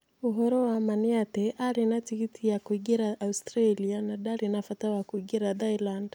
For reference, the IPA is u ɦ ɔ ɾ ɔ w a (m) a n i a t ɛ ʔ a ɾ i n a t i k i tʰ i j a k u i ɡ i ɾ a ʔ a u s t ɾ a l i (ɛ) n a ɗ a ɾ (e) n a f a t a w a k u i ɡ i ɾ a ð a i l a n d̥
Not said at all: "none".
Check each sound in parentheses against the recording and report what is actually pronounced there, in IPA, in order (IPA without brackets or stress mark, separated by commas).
m, a, i